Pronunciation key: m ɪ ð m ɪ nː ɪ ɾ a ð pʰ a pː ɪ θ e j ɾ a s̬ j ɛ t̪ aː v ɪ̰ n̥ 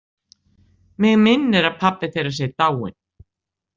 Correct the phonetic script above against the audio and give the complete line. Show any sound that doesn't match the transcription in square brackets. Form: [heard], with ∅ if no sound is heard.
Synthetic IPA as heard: m ɪ [ɣ] m ɪ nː ɪ ɾ a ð pʰ a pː ɪ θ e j ɾ a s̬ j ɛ t̪ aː [w] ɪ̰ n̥